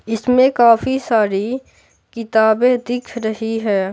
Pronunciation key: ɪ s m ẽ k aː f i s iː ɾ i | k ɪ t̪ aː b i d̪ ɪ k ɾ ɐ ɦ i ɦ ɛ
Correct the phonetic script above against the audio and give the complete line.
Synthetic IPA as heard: ɪ s m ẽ k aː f i s aː ɾ i | k ɪ t̪ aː b e d̪ ɪ kʰ ɾ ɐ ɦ i ɦ ɛː